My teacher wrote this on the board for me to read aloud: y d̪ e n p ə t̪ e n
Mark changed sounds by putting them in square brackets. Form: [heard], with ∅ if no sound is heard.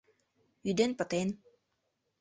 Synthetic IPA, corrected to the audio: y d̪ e n p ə t̪ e n